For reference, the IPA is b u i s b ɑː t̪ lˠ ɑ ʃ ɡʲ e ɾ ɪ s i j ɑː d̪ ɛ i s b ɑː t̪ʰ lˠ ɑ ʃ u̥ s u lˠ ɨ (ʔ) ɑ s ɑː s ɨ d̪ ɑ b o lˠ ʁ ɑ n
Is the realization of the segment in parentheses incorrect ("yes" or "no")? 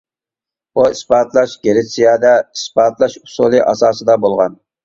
no